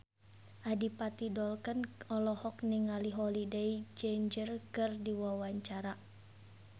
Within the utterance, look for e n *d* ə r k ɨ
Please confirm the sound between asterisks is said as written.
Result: no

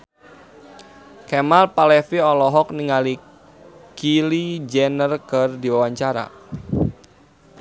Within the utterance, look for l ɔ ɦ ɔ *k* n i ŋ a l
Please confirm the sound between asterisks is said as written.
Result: yes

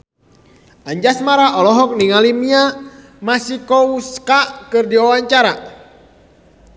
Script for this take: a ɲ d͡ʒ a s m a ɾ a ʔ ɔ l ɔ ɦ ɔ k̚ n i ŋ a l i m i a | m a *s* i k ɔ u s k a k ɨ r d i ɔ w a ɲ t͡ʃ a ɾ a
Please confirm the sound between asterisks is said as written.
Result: yes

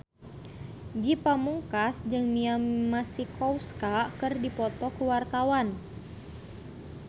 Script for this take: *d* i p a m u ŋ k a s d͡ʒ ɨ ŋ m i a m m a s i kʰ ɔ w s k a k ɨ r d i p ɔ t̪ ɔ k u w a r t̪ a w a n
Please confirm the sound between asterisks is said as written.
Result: no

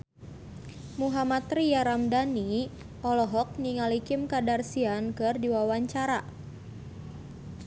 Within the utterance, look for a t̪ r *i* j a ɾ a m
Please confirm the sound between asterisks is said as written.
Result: yes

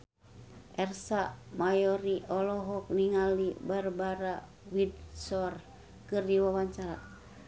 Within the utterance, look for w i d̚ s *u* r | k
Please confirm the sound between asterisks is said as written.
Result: no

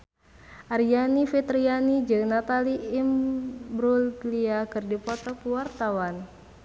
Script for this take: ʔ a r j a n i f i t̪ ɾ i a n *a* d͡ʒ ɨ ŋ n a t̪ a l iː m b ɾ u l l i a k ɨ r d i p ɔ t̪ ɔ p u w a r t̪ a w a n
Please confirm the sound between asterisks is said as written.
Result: no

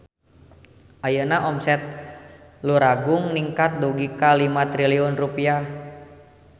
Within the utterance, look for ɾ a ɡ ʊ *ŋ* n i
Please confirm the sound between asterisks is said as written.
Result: yes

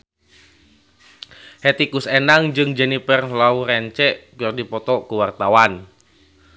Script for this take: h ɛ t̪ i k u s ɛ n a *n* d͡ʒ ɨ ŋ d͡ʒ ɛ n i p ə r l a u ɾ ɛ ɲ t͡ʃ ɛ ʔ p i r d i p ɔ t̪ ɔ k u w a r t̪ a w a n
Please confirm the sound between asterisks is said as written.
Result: no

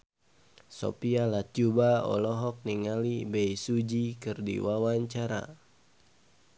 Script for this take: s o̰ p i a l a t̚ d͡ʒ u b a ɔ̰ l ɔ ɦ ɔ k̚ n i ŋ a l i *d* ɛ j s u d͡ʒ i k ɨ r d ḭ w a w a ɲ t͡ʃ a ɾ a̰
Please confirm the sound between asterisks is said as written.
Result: no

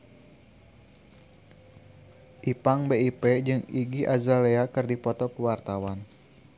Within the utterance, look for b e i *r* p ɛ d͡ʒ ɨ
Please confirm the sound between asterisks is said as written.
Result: no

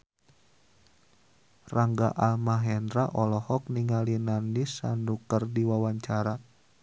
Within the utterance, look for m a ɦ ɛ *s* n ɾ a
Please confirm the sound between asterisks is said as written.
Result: no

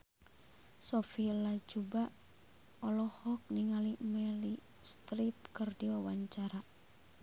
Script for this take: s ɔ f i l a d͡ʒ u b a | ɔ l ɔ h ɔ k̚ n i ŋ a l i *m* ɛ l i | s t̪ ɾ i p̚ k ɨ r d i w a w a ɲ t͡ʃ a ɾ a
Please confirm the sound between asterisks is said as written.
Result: yes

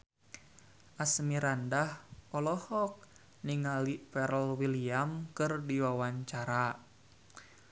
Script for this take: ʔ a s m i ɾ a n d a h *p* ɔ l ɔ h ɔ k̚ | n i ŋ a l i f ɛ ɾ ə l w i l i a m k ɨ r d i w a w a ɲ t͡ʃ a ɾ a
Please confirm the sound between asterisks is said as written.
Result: yes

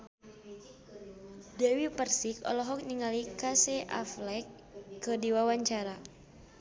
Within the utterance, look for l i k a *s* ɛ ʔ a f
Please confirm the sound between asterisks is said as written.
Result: yes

